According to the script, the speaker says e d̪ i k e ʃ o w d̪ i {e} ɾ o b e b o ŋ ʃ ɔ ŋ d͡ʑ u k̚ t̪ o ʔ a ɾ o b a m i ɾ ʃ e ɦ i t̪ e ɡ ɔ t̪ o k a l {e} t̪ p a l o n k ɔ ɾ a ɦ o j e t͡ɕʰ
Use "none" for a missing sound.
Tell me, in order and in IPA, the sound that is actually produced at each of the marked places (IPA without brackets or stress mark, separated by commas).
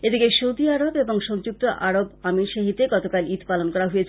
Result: a, i